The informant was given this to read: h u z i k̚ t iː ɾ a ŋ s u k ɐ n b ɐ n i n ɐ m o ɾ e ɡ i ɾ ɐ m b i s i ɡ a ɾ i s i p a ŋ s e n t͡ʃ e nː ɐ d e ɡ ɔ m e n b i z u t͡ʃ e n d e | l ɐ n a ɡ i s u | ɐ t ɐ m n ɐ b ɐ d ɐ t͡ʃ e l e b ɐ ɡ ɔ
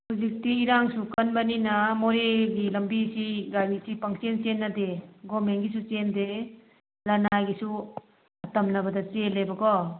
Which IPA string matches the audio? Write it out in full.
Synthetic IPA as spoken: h u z i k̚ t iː ɾ a ŋ s u k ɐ n b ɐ n i n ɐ m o ɾ e ɡ i l ɐ m b i s i ɡ a ɾ i s i p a ŋ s e n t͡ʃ e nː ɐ d e ɡ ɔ m e n ɡ i s u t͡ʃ e n d e | l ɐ n a ɡ i s u | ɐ t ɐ m n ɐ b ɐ d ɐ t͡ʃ e l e b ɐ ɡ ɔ